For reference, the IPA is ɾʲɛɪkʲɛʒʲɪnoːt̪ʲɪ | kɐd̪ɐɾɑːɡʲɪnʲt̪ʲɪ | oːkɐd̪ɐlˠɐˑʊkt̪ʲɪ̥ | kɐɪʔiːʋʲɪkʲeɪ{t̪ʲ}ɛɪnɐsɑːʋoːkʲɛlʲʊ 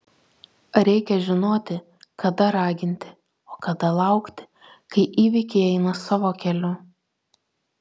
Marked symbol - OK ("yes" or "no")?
no